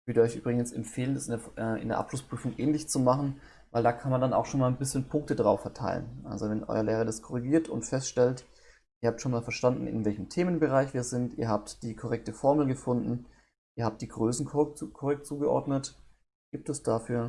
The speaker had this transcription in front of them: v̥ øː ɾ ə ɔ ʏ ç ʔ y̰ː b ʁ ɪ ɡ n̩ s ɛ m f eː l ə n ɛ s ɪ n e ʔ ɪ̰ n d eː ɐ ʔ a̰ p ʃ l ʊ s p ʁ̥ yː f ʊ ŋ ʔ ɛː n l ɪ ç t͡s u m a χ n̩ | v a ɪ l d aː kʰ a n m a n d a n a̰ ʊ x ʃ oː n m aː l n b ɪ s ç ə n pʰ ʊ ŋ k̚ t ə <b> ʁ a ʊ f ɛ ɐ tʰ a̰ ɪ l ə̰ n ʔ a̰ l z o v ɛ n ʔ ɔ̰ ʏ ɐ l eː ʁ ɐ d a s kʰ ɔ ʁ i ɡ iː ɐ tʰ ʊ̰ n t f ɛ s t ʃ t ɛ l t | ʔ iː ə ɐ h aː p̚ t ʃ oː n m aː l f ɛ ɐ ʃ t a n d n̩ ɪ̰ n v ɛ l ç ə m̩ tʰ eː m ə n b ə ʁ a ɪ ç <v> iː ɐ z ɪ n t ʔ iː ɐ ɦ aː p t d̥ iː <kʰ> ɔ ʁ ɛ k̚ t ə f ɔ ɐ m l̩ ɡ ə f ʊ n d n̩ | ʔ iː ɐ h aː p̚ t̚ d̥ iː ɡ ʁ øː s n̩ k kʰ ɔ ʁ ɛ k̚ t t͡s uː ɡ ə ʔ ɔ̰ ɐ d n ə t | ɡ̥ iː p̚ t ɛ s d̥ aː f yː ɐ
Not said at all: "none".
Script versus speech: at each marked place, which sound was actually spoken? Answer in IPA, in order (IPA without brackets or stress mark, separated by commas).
d, v, kʰ